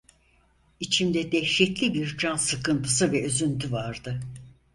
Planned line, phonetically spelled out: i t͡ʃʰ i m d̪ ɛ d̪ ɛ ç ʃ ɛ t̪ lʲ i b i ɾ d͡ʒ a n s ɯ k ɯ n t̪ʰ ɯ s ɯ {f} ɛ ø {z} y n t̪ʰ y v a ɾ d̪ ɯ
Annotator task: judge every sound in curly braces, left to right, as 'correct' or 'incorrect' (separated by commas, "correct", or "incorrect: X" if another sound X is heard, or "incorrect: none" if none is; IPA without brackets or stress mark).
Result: incorrect: v, correct